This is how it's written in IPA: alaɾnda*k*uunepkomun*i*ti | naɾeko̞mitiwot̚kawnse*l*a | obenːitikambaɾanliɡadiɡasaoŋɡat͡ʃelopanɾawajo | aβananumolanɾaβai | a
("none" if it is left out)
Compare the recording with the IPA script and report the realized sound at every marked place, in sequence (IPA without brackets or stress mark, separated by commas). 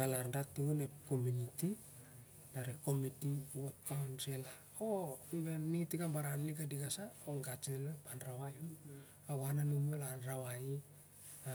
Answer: t, i, l